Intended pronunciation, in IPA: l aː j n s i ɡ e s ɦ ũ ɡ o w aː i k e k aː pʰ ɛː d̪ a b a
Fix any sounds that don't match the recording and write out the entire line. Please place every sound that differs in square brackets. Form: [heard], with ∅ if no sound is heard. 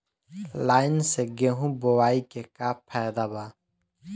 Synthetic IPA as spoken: l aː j n s [e] ɡ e [∅] ɦ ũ [b] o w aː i k e k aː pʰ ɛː d̪ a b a